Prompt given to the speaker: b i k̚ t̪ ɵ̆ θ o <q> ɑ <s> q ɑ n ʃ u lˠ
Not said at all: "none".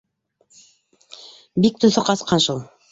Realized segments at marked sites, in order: q, s

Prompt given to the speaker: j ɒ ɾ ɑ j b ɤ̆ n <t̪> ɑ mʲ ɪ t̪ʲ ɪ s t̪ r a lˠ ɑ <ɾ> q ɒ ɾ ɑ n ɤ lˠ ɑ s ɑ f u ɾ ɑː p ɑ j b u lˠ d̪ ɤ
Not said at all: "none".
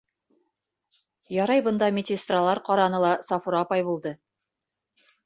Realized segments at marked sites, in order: d̪, ɾ

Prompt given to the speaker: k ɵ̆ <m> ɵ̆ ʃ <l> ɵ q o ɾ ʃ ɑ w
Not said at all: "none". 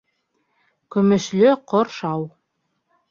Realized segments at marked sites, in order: m, l

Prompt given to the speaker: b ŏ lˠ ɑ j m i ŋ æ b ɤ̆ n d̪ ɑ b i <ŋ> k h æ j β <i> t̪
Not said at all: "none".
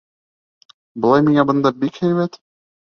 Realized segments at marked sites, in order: none, æ

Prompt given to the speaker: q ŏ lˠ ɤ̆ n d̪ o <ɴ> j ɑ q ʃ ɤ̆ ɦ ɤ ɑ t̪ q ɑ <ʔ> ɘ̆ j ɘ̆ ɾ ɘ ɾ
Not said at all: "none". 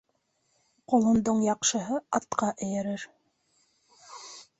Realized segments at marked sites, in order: ɴ, ʔ

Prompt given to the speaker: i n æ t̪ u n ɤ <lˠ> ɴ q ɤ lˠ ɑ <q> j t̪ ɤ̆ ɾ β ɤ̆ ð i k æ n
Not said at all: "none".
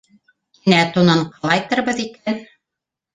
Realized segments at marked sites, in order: none, none

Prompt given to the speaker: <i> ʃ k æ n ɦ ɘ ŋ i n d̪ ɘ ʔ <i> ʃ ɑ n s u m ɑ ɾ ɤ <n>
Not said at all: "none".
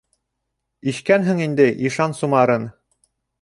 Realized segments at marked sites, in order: i, i, n

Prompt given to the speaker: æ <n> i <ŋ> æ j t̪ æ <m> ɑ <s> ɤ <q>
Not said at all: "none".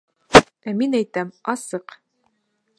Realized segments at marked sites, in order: m, n, m, s, q

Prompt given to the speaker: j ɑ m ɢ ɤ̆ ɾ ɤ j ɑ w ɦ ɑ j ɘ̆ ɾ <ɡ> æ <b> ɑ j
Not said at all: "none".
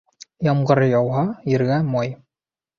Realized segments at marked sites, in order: ɡ, m

